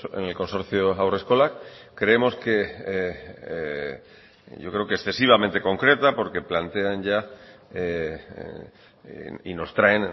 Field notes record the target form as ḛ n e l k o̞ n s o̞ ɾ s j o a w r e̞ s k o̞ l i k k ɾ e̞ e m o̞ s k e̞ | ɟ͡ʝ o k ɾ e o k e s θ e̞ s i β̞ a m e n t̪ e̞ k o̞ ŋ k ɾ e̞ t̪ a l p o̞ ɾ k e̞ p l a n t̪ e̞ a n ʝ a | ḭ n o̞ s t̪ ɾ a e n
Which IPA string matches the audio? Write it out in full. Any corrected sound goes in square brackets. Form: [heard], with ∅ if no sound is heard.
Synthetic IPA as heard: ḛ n e l k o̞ n s o̞ ɾ [θ] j o a w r e̞ s k o̞ l [a] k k ɾ e̞ e m o̞ s k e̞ | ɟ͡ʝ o k ɾ e o k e s θ e̞ s i β̞ a m e n t̪ e̞ k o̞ ŋ k ɾ e̞ t̪ a [∅] p o̞ ɾ k e̞ p l a n t̪ e̞ a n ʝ a | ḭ n o̞ s t̪ ɾ a e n